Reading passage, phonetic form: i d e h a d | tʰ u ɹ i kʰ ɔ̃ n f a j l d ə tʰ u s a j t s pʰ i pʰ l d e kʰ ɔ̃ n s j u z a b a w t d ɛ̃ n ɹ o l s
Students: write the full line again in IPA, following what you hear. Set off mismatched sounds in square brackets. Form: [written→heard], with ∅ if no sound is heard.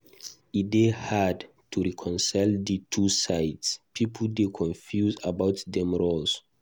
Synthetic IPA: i d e h a d | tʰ u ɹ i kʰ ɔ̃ n [f→s] a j l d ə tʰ u s a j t s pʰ i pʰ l d e kʰ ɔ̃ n [s→f] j u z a b a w t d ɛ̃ [n→m] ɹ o l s